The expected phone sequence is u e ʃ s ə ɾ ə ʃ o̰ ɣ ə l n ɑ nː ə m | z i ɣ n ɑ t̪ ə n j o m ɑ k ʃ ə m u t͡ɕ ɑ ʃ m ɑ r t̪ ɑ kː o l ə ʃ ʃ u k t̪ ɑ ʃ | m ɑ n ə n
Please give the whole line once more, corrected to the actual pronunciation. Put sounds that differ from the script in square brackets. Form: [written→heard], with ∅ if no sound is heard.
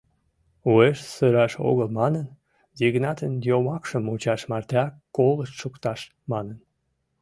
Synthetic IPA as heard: u e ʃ s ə ɾ [ə→ɑ] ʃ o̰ ɣ ə l [n→m] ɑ [nː→n] ə [m→n] | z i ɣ n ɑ t̪ ə n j o m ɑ k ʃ ə m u t͡ɕ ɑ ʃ m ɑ r t̪ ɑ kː o l ə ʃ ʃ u k t̪ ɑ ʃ | m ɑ n ə n